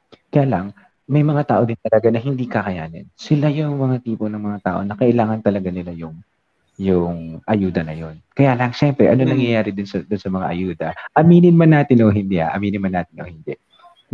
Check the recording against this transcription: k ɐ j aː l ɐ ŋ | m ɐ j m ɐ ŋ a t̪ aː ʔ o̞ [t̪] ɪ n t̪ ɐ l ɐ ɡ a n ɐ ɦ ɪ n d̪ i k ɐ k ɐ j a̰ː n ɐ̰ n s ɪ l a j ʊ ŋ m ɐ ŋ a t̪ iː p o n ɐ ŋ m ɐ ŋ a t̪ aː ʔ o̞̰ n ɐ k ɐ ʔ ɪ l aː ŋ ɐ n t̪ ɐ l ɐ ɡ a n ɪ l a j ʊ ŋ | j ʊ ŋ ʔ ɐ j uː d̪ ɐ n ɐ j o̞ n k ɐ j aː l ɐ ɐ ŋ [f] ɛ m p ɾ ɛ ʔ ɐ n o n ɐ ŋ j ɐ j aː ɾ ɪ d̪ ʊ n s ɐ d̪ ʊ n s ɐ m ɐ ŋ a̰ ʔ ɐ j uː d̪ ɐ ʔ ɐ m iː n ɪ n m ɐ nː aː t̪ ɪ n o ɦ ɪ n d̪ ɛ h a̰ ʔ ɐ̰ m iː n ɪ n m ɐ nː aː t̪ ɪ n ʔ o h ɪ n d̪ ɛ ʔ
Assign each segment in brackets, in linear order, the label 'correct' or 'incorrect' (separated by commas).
incorrect, incorrect